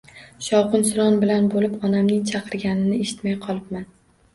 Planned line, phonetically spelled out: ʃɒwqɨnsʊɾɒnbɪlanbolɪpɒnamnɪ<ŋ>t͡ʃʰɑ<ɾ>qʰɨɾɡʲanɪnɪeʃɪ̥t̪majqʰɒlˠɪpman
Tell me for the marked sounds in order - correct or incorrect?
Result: correct, incorrect: none

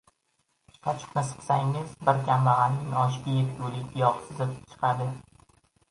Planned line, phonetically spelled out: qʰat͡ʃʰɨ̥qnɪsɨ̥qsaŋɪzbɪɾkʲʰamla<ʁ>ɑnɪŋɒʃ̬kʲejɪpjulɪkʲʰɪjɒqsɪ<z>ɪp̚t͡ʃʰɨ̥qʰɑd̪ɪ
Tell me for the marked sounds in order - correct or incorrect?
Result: correct, correct

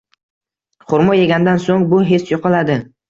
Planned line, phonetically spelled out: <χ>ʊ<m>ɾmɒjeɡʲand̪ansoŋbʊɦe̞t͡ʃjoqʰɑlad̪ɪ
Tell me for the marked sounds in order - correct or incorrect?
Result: correct, incorrect: none

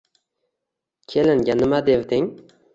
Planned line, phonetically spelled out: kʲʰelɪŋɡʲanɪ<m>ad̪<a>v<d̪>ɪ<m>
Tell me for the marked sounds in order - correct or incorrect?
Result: correct, incorrect: e, correct, incorrect: ŋ

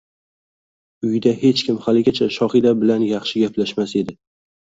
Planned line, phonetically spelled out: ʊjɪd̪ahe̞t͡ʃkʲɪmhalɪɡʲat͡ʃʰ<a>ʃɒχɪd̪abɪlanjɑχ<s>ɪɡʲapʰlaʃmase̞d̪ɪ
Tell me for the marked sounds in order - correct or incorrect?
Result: correct, incorrect: ʃ

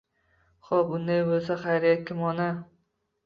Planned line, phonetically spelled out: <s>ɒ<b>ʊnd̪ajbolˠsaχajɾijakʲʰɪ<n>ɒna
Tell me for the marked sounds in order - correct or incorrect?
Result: incorrect: χ, correct, incorrect: m

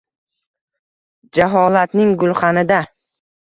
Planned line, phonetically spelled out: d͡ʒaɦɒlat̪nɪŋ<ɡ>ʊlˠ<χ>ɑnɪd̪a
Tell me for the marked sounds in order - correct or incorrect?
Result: correct, correct

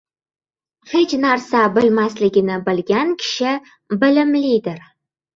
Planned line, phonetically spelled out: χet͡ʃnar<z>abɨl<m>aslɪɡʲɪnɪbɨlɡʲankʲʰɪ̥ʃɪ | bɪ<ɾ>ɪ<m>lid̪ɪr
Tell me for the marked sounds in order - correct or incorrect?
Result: incorrect: s, correct, incorrect: l, correct

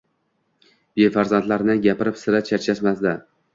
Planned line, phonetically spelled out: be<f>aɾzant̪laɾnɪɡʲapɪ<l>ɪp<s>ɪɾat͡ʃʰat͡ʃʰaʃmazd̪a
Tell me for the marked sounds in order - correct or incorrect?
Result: correct, incorrect: ɾ, correct

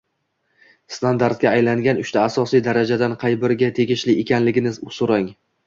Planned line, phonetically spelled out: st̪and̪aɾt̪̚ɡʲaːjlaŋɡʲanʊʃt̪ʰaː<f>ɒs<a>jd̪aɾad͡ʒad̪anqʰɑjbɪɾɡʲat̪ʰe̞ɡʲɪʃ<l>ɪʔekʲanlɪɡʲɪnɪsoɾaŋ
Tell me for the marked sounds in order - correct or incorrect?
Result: incorrect: s, incorrect: i, correct

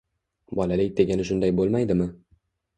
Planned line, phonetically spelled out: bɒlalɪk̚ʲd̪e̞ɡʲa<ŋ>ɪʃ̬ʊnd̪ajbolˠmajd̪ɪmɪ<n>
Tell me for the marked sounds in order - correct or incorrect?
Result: incorrect: n, incorrect: none

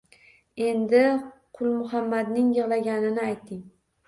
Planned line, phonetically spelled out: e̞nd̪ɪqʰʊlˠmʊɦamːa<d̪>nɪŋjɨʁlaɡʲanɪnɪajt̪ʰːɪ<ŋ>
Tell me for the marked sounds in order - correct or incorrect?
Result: correct, correct

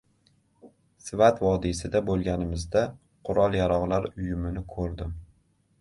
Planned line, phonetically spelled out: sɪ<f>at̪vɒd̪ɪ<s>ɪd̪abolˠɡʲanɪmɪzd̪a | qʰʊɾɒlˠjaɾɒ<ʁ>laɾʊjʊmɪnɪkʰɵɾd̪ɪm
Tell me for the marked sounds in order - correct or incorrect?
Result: incorrect: v, correct, correct

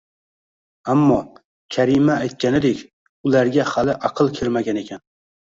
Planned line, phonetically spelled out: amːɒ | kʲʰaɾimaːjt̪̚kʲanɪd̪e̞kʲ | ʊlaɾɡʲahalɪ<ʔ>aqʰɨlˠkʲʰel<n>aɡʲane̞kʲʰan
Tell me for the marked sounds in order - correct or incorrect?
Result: correct, incorrect: m

